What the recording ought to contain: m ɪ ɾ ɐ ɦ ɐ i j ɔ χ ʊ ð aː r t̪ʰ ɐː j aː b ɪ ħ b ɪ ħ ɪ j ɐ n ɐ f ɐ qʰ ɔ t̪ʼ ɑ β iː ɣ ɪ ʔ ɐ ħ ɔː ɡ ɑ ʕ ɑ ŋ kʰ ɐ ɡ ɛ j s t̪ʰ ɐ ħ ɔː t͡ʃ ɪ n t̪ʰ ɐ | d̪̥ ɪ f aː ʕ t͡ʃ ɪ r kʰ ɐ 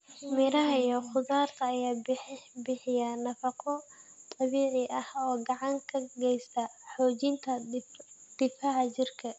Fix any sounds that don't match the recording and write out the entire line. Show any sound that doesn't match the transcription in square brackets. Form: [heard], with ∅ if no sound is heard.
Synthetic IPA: m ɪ ɾ ɐ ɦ ɐ i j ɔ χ ʊ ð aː r t̪ʰ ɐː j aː b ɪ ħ b ɪ ħ ɪ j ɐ n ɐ f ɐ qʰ ɔ t̪ʼ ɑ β iː [ʕ] ɪ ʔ ɐ [h] ɔː ɡ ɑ ʕ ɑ ŋ kʰ ɐ ɡ ɛ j s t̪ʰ ɐ ħ ɔː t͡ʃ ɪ n t̪ʰ ɐ | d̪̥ ɪ f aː ʕ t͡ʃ ɪ r kʰ ɐ